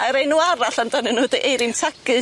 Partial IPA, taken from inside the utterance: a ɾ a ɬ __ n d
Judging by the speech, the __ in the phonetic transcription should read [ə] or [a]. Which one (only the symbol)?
a